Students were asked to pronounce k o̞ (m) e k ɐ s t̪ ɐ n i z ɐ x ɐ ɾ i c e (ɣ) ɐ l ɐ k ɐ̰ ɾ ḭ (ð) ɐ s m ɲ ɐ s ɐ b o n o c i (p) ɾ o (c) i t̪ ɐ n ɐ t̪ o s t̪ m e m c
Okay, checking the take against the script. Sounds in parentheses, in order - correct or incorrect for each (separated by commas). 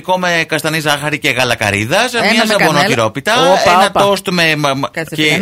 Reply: correct, correct, correct, incorrect, incorrect